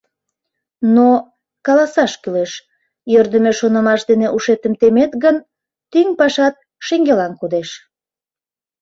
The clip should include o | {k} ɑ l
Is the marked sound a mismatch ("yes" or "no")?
no